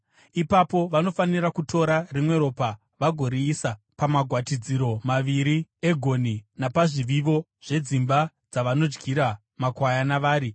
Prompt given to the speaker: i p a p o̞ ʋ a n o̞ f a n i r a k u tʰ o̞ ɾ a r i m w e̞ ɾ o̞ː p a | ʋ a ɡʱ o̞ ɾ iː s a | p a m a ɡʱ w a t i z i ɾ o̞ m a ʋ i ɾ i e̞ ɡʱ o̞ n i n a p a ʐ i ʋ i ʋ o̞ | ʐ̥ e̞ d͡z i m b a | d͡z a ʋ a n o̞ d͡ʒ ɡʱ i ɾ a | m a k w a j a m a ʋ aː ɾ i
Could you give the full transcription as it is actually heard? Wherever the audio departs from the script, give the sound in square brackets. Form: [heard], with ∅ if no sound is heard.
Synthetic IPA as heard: i p a p o̞ ʋ a n o̞ f a n i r a k u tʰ o̞ ɾ a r i m w e̞ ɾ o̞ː p a | ʋ a ɡʱ o̞ ɾ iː s a | p a m a ɡʱ w a t i [d͡z] i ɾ o̞ m a ʋ i ɾ i e̞ ɡʱ o̞ n i n a p a ʐ i ʋ i ʋ o̞ | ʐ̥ e̞ d͡z i m b a | d͡z a ʋ a n o̞ d͡ʒ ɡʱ i ɾ a | m a k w a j a [n] a ʋ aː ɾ i